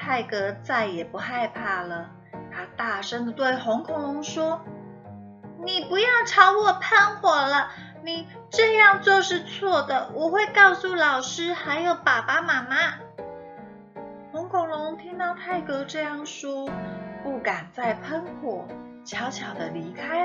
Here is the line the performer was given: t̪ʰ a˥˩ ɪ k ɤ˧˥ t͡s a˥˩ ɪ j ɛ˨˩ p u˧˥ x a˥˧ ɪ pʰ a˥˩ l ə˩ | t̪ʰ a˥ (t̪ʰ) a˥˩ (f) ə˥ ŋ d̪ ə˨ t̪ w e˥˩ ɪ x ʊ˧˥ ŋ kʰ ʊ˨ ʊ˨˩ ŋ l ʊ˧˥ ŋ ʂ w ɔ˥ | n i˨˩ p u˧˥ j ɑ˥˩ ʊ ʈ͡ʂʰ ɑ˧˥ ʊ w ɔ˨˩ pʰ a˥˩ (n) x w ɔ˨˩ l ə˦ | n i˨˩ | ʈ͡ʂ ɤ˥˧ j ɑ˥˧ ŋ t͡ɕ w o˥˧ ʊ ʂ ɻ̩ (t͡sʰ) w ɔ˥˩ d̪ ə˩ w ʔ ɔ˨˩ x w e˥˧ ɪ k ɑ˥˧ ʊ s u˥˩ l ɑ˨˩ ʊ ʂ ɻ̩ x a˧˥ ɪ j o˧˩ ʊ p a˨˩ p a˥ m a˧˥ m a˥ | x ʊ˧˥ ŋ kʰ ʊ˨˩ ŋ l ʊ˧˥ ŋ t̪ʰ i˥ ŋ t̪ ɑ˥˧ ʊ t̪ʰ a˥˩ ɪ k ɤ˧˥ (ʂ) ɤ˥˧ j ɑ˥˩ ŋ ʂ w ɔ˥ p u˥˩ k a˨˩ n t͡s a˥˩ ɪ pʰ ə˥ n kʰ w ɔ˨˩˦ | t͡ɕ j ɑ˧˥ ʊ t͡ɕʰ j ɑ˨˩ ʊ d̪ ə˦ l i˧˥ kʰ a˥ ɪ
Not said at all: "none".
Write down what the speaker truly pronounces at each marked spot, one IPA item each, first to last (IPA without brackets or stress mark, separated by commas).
t̪, ʂ, n, t͡sʰ, ʈ͡ʂ